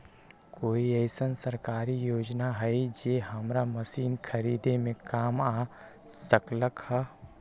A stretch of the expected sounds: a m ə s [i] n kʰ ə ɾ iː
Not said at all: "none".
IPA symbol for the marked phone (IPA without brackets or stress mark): iː